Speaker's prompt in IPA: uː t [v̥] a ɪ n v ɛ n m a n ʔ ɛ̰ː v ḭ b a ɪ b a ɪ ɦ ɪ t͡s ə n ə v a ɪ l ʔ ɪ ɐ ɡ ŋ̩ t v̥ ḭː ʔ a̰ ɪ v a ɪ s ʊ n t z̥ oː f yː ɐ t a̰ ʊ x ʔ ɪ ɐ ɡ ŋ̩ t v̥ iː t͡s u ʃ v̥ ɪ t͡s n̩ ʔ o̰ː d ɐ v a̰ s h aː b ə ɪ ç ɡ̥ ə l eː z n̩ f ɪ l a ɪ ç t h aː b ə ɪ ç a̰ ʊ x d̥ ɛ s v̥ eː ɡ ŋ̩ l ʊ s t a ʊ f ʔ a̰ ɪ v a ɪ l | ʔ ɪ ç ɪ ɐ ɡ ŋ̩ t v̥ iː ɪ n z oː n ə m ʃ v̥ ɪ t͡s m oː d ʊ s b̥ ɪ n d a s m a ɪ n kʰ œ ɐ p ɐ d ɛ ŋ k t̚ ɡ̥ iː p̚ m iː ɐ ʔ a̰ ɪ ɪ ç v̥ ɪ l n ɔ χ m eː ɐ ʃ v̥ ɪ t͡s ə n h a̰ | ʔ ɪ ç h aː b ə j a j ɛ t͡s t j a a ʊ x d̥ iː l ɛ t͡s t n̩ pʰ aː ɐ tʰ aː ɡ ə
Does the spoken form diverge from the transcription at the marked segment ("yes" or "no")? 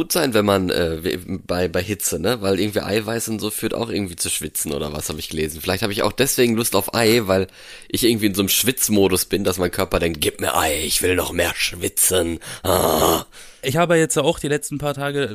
yes